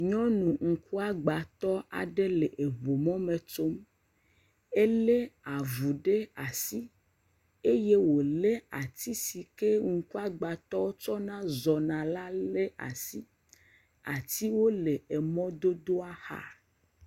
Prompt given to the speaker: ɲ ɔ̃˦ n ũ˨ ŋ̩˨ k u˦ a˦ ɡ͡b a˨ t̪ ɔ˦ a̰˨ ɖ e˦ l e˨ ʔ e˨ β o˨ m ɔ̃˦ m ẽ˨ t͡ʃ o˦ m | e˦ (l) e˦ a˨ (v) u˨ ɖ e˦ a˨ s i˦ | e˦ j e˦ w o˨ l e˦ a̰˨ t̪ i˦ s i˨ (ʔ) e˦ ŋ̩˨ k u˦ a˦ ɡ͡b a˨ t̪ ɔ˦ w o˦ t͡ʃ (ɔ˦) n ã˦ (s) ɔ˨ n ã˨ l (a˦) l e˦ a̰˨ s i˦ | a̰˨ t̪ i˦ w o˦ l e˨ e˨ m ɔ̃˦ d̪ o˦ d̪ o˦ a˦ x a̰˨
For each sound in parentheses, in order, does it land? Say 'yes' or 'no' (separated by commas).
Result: yes, yes, no, yes, no, yes